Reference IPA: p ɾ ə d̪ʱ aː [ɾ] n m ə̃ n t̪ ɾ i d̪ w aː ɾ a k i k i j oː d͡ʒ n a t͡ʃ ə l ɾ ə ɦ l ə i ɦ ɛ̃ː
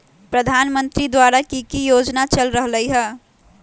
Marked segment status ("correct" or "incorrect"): incorrect